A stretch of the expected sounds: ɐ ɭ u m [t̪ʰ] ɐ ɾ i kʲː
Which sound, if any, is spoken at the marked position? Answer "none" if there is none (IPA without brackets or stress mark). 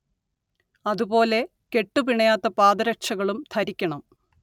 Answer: t̪ʰ